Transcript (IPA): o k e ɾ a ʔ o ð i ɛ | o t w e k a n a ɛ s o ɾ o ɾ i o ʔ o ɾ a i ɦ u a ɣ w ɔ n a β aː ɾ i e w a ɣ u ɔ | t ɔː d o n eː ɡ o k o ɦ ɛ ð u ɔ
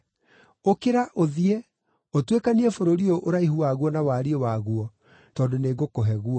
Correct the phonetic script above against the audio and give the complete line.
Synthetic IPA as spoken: o k e ɾ a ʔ o ð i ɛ | o t w e k a n i ɛ f o ɾ o ɾ i o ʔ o ɾ a i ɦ u a ɣ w ɔ n a w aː ɾ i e w a ɣ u ɔ | t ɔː d o n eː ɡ o k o ɦ ɛ ɣ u ɔ